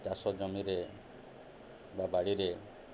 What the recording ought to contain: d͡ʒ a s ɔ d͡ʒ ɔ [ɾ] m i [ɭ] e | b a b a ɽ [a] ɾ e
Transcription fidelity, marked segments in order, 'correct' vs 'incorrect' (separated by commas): incorrect, incorrect, incorrect